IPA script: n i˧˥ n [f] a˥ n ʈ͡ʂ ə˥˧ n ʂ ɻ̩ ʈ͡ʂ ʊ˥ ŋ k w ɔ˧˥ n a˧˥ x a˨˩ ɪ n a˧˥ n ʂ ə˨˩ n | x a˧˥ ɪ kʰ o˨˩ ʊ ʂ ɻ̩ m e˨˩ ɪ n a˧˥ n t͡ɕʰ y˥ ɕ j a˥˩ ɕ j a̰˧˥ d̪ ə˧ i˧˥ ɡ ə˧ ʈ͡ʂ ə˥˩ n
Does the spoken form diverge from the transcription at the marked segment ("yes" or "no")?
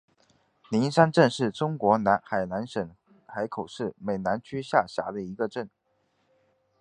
yes